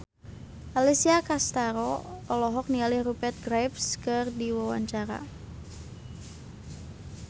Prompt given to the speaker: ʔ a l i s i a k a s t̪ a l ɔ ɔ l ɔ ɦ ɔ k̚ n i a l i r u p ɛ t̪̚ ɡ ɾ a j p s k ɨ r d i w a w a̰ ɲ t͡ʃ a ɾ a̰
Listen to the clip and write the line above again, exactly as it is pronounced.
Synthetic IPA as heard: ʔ a l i s i a k a s t̪ a ɾ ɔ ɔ l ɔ ɦ ɔ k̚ n i a l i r u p ɛ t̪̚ ɡ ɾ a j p s k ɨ r d i w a w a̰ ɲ t͡ʃ a ɾ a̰